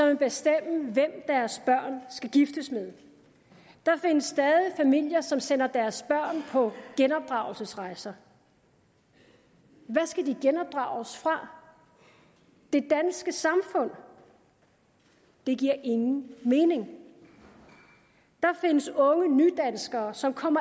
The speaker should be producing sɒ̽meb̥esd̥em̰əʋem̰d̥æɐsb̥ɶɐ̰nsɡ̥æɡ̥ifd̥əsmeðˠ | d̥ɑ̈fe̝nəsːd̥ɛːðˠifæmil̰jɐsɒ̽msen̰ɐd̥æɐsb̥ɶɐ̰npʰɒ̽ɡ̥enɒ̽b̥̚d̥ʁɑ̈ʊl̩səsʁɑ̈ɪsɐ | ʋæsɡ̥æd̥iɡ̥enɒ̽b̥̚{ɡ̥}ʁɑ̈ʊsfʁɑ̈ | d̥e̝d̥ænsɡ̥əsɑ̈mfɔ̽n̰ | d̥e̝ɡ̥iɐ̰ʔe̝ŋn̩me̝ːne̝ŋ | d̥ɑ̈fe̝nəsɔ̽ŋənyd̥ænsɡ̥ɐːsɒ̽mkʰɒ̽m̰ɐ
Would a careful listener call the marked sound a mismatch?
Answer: yes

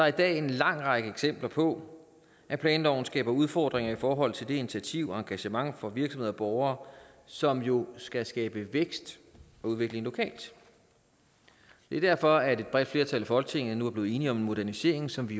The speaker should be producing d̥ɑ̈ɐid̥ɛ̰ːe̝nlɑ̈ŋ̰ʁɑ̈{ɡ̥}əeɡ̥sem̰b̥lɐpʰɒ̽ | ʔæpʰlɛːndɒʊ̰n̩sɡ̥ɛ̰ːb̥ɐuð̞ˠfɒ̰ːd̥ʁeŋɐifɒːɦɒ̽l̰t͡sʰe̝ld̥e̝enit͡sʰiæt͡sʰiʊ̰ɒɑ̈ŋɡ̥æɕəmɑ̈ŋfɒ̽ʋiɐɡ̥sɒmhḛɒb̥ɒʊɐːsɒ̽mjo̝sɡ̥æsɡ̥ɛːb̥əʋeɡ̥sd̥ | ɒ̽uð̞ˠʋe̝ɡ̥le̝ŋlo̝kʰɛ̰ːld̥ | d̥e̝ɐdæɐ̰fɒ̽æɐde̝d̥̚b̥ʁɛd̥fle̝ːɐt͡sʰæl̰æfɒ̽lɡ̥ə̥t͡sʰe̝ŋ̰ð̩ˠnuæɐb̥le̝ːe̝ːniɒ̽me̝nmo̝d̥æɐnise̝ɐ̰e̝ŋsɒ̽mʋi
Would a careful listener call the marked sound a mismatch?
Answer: no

